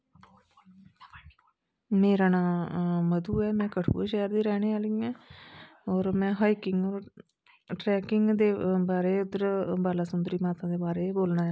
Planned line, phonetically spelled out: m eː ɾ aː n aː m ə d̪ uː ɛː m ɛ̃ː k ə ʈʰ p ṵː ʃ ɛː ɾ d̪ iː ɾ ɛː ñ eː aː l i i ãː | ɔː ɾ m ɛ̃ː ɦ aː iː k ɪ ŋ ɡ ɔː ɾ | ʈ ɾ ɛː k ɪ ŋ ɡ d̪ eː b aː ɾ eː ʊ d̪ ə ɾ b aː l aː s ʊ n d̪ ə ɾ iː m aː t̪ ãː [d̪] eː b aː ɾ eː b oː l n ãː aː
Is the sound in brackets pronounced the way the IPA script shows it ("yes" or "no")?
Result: yes